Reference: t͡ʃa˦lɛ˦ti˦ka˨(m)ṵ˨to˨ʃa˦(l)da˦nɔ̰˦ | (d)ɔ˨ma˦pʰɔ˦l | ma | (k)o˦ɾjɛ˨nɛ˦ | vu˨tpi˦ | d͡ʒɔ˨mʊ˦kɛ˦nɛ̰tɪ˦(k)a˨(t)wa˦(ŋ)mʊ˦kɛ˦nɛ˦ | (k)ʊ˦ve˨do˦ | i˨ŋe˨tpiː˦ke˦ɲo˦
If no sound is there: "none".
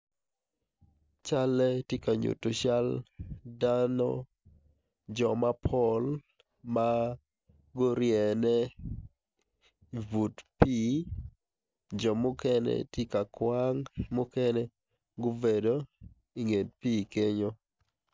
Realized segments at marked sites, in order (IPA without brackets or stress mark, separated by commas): ɲ, l, d͡ʒ, ɡ, k, k, ŋ, ɡ